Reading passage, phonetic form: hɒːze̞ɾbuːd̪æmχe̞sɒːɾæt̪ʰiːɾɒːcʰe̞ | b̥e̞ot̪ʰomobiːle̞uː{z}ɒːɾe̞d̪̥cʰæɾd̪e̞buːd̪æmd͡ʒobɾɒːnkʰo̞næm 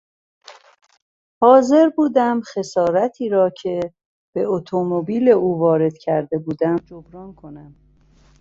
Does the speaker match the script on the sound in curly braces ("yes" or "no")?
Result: no